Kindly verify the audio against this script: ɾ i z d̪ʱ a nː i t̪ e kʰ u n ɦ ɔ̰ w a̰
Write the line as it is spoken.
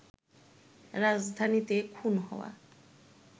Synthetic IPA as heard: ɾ a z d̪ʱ a n i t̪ e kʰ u n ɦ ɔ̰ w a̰